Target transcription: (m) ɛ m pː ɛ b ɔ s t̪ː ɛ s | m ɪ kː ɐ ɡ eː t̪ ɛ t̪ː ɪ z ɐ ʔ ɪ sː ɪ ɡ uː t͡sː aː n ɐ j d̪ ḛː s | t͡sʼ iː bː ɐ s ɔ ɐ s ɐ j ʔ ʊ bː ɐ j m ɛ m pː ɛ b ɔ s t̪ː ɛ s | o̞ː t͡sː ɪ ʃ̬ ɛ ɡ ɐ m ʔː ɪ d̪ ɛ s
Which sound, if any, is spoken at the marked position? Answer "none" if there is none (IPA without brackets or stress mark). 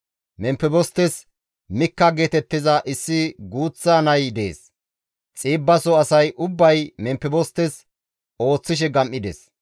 m